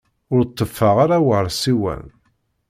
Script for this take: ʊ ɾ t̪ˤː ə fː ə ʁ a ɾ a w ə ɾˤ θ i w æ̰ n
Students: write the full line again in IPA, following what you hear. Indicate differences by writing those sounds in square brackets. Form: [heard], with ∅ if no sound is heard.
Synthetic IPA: ʊ ɾ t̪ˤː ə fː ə ʁ a ɾ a w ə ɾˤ [s] i w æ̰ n